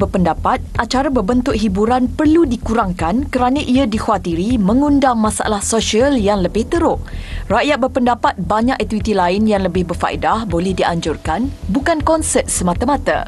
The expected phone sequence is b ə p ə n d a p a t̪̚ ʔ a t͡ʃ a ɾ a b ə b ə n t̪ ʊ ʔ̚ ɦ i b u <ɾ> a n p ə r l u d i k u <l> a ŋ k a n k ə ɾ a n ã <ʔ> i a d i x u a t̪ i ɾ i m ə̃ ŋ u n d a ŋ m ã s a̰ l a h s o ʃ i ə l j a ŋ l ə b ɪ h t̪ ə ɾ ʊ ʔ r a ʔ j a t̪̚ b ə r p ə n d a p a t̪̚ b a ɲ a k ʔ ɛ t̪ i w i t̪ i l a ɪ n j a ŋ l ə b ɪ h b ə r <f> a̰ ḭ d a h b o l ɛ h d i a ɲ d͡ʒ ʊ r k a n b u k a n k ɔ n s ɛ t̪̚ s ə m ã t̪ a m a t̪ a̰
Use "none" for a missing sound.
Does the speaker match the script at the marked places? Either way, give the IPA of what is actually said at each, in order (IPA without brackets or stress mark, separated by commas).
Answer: ɾ, ɾ, ʔ, f